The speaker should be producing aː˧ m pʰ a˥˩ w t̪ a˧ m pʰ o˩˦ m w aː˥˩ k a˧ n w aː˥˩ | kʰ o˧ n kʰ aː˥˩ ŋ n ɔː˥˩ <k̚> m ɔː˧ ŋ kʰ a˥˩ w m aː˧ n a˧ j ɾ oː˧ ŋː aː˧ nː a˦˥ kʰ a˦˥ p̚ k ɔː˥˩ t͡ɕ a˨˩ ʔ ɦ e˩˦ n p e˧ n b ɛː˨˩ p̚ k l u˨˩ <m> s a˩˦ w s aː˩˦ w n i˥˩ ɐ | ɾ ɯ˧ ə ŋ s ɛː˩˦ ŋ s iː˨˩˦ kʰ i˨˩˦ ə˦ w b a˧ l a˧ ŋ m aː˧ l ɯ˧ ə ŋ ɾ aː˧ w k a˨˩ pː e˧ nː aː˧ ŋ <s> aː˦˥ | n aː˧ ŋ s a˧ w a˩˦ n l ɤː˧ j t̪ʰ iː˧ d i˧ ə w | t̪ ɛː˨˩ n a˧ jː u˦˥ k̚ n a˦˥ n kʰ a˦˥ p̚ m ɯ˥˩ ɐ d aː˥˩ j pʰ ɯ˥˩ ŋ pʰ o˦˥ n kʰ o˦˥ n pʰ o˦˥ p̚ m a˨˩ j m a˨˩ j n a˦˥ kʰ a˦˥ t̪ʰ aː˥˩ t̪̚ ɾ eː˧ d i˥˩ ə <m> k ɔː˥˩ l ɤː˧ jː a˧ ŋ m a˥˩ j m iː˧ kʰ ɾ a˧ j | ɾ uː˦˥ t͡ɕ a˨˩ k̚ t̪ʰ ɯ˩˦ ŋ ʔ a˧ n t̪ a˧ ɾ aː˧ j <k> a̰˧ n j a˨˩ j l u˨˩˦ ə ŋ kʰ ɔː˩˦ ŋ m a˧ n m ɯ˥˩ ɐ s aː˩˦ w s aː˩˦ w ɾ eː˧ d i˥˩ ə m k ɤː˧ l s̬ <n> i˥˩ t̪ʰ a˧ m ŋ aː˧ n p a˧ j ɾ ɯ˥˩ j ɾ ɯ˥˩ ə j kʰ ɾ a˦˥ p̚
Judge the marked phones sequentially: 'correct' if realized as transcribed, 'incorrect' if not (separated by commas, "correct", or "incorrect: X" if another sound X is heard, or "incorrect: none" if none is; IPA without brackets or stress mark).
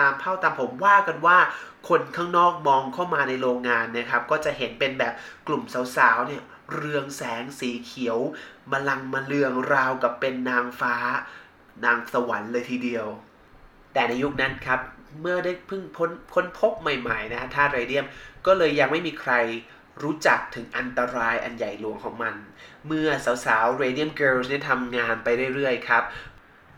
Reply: correct, correct, incorrect: f, correct, incorrect: ʔ, correct